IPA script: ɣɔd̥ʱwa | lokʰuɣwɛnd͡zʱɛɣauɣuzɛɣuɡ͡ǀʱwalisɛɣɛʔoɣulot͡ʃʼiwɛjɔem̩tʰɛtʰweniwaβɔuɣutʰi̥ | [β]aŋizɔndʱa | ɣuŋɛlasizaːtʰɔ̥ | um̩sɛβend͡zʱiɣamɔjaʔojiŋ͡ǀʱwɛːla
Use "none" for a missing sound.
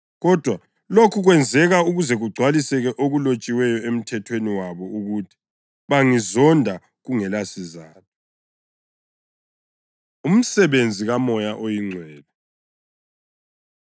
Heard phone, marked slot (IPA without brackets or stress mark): β